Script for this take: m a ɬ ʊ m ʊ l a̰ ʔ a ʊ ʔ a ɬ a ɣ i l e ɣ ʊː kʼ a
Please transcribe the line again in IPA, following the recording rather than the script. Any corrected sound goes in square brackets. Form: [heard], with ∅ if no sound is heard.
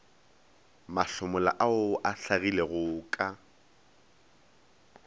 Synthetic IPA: m a ɬ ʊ m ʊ l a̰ ʔ a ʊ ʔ a ɬ a ɣ i l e ɣ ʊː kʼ a